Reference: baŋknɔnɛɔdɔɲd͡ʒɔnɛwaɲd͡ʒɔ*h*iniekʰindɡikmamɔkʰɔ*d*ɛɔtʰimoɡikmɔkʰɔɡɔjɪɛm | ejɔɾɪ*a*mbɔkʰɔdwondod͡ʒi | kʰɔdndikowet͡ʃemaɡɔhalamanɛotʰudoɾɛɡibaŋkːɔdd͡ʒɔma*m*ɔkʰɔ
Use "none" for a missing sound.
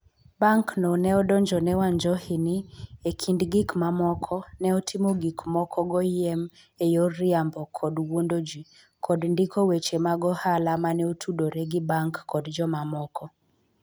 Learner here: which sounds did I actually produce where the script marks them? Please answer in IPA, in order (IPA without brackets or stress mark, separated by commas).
h, n, a, m